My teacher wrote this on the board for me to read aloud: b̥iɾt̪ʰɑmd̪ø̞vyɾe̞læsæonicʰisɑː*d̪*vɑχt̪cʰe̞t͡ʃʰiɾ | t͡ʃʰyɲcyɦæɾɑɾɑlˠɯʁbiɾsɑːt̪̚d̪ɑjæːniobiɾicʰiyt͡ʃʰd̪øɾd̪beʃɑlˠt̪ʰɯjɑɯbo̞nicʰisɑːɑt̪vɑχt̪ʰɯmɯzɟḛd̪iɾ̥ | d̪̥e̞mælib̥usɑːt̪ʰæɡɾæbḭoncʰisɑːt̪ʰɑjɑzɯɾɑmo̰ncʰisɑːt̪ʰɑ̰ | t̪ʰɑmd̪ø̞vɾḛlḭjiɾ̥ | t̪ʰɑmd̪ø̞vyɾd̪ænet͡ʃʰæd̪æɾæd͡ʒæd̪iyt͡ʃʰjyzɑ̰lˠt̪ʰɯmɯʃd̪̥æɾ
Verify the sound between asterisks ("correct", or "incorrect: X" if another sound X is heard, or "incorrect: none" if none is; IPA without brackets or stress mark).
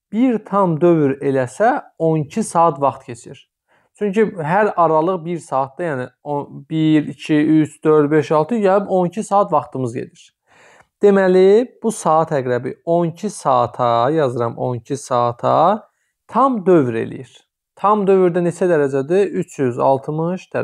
incorrect: t̪